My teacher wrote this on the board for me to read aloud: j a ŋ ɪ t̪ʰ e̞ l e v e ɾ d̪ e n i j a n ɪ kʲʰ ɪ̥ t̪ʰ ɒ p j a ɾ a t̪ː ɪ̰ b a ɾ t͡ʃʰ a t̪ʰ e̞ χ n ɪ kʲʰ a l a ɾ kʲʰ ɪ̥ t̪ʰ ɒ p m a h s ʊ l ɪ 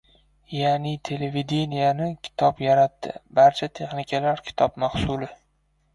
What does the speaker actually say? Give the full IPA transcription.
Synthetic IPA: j a n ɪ t̪ʰ e̞ l e v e d̪ e n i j a n ɪ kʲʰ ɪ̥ t̪ʰ ɒ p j a ɾ a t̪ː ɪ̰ b a ɾ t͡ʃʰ a t̪ʰ e̞ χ n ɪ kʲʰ a l a ɾ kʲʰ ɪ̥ t̪ʰ ɒ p m a h s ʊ l ɪ